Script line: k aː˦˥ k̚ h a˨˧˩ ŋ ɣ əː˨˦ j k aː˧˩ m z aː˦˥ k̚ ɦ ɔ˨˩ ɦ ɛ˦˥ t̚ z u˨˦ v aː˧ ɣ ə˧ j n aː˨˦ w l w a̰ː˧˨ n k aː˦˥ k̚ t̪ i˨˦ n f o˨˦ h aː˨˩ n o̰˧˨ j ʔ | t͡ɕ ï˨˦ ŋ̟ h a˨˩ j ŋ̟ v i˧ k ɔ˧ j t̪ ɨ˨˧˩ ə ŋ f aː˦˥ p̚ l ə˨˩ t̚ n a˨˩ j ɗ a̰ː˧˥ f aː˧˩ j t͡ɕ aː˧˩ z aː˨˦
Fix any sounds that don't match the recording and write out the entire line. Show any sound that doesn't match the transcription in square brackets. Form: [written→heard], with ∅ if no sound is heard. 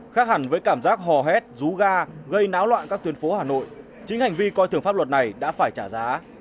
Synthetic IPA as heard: [k→x] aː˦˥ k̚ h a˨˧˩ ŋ [ɣ→v] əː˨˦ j k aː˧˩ m z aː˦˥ k̚ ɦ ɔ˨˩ ɦ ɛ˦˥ t̚ z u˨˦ [v→ɣ] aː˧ ɣ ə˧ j n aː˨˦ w l w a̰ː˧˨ n k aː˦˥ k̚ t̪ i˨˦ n f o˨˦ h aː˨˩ n o̰˧˨ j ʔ | t͡ɕ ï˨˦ ŋ̟ h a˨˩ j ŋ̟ v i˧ k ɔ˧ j t̪ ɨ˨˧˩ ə ŋ f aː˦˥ p̚ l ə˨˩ t̚ n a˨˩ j ɗ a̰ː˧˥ f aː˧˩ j t͡ɕ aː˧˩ z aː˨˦